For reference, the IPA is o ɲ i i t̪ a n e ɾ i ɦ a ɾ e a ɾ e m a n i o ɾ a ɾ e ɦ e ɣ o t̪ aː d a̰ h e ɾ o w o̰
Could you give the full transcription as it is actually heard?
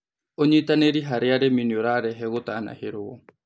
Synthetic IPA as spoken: o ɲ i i t̪ a n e ɾ i ɦ a ɾ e a ɾ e m i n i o ɾ a ɾ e ɦ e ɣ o t̪ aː n a̰ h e ɾ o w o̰